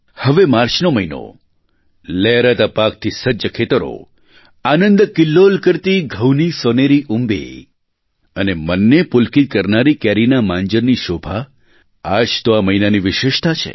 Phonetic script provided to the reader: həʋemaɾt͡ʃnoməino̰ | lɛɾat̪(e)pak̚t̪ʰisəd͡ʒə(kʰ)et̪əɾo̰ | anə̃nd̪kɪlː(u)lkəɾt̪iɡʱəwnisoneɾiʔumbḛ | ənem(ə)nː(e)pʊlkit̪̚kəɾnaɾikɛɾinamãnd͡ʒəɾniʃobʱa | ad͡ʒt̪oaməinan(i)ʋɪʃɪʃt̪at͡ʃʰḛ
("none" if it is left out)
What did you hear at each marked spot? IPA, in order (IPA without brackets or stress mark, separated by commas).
a, kʰ, o, ə, e, i